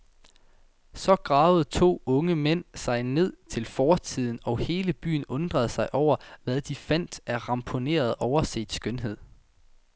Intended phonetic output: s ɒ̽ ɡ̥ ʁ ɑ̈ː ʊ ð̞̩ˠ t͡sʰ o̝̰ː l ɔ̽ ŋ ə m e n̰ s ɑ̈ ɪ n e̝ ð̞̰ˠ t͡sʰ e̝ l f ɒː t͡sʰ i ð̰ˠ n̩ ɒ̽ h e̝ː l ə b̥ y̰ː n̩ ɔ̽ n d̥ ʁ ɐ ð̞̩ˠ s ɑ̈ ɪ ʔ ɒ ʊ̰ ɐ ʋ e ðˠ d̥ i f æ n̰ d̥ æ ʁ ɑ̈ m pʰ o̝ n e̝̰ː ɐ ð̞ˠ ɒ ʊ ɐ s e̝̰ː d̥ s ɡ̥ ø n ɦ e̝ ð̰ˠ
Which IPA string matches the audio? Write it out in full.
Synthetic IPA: s ɒ̽ ɡ̥ ʁ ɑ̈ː ʊ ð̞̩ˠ t͡sʰ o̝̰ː ɔ̽ ŋ ə m e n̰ s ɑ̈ ɪ n e̝ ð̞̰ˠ t͡sʰ e̝ l f ɒː t͡sʰ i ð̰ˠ n̩ ɒ̽ h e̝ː l ə b̥ y̰ː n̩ ɔ̽ n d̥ ʁ ɐ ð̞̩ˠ s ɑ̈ ɪ ʔ ɒ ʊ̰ ɐ ʋ æ ðˠ d̥ i f æ n̰ d̥ æ ʁ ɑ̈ m pʰ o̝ n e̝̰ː ɐ ð̞ˠ ɒ ʊ ɐ s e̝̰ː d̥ s ɡ̥ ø n ɦ e̝ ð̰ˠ